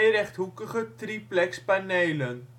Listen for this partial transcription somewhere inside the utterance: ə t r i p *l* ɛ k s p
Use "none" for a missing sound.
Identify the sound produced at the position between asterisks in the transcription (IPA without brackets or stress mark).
l